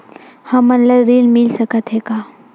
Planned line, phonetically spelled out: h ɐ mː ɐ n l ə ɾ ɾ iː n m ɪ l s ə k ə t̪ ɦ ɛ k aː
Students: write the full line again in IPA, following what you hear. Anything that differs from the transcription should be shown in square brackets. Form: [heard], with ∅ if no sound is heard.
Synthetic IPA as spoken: h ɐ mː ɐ n l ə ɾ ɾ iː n m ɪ l s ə k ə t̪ ɦ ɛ k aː